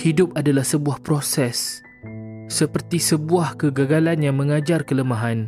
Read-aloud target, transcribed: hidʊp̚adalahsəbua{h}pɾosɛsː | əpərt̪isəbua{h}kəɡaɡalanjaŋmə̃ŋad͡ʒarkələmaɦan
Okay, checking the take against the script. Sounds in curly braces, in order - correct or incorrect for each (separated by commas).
correct, correct